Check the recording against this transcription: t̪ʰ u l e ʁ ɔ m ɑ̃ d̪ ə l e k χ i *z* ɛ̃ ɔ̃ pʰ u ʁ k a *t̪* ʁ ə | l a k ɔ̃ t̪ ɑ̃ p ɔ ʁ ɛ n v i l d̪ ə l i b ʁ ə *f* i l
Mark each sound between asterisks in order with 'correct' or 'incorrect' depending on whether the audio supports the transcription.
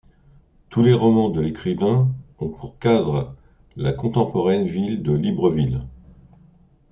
incorrect: v, incorrect: d̪, incorrect: v

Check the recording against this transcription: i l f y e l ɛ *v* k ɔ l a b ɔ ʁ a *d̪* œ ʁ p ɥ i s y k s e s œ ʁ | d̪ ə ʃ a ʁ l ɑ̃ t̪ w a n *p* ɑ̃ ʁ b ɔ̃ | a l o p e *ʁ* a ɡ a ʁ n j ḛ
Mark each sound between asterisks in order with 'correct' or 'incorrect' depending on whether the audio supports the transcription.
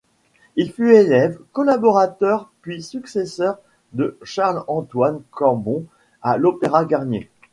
correct, incorrect: t̪, incorrect: k, correct

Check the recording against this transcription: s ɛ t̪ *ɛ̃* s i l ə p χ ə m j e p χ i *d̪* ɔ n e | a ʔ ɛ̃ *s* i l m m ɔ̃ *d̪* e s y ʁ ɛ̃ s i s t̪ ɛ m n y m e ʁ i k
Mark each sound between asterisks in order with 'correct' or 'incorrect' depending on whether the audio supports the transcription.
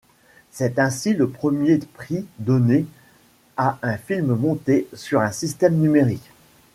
correct, correct, incorrect: f, incorrect: t̪

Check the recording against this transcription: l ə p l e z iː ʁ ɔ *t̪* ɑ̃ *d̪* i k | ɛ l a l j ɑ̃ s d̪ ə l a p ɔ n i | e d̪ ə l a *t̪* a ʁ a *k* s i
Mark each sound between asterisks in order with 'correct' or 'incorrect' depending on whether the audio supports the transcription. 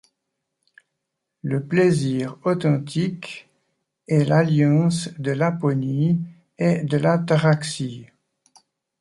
correct, incorrect: t̪, correct, correct

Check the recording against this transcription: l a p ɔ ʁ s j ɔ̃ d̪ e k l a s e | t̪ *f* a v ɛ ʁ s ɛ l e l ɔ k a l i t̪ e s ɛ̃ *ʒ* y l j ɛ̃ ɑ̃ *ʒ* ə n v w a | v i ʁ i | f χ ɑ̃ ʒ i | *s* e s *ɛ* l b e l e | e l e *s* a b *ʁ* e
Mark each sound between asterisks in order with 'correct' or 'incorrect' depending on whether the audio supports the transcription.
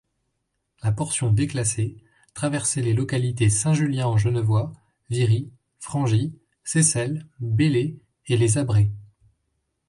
incorrect: χ, correct, correct, correct, correct, incorrect: z, correct

